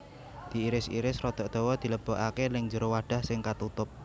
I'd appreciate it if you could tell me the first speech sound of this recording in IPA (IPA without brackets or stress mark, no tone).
d̪̥